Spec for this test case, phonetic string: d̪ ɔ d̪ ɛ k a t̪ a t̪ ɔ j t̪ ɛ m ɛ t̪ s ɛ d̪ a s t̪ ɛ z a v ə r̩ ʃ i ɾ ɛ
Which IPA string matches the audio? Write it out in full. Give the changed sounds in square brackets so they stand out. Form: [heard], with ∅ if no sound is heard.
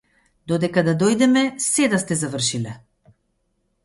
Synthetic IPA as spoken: d̪ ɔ d̪ ɛ k a [d̪] a [d̪] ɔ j [d̪] ɛ m ɛ [∅] s ɛ d̪ a s t̪ ɛ z a v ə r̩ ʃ i [l] ɛ